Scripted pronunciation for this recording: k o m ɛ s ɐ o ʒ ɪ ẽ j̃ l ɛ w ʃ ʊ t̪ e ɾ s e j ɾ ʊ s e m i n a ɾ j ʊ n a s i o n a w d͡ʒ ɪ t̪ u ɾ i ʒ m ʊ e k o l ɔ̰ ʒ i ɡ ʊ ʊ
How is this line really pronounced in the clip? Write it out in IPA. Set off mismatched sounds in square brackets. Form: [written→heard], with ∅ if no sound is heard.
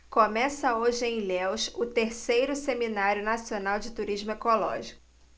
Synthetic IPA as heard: k o m ɛ s ɐ o ʒ ɪ ẽ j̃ l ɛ w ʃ ʊ t̪ e ɾ s e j ɾ ʊ s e m i n a ɾ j ʊ n a s i o n a w d͡ʒ ɪ t̪ u ɾ i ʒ m ʊ e k o l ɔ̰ ʒ i [ɡ→k] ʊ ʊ